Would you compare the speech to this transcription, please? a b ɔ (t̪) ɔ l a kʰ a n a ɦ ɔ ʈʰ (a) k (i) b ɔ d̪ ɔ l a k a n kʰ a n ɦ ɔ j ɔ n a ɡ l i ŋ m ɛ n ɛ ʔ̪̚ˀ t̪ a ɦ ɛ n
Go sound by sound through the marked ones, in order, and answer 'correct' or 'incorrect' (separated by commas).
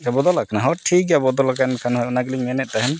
incorrect, incorrect, incorrect